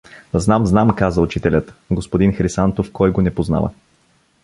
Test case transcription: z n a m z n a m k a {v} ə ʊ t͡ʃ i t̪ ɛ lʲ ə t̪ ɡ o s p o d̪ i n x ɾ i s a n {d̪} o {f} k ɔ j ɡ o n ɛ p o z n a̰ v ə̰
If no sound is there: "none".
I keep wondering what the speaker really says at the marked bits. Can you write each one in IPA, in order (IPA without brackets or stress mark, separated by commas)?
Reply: z, t̪, f